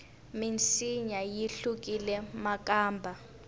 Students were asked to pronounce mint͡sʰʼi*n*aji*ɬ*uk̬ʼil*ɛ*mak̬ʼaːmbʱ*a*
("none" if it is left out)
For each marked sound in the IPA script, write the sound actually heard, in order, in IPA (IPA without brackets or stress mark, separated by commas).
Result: ɲ, ɬ, ɛ, a